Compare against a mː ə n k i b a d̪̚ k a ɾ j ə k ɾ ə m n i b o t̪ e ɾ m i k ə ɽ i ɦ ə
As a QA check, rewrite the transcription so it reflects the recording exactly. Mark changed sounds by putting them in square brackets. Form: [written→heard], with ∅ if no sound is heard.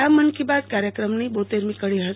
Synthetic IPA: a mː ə n k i b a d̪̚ k a ɾ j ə k ɾ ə m n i b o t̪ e ɾ m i k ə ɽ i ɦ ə

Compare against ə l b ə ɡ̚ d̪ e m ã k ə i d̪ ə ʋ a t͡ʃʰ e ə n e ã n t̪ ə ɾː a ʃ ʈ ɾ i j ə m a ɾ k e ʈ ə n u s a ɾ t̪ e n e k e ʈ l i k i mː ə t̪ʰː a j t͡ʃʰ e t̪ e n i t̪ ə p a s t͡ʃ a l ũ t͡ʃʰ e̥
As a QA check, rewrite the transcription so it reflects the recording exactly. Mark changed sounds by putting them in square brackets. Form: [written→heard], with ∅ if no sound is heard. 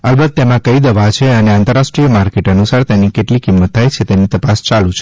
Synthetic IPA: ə l b ə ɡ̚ [d̪→t̪] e m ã k ə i d̪ ə ʋ a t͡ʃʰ e ə n e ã n t̪ ə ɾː a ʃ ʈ ɾ i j ə m a ɾ k e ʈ ə n u s a ɾ t̪ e n [e→i] k e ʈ l i k i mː ə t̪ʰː a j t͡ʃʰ e t̪ e n i t̪ ə p a s t͡ʃ a l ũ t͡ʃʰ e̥

